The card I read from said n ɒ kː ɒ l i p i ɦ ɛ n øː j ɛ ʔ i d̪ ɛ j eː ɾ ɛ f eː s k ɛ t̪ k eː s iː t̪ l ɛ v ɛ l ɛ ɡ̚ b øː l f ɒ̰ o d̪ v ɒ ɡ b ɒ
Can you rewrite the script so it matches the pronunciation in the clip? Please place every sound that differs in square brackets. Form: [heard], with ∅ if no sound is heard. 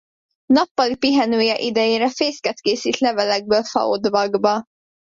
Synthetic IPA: n ɒ [pː] ɒ l i p i ɦ ɛ n øː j ɛ ʔ i d̪ ɛ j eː ɾ ɛ f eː s k ɛ t̪ k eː s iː t̪ l ɛ v ɛ l ɛ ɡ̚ b øː l f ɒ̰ o d̪ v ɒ ɡ b ɒ